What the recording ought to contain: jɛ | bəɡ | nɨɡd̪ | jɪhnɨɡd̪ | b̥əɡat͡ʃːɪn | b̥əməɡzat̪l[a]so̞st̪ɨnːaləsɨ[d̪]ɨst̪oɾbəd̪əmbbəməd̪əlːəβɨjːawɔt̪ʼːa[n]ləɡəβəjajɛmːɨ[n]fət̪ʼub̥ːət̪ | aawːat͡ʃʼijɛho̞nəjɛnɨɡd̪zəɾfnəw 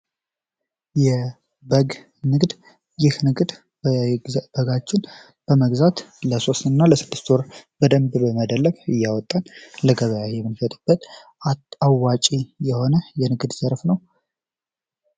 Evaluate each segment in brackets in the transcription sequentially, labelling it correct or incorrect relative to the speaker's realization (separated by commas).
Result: incorrect, incorrect, correct, correct